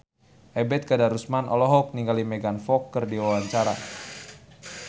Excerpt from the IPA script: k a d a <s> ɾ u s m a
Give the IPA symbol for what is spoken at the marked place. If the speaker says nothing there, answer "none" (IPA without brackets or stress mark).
none